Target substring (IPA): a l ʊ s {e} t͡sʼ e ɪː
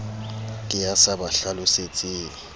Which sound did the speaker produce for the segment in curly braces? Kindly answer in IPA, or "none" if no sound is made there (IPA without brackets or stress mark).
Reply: e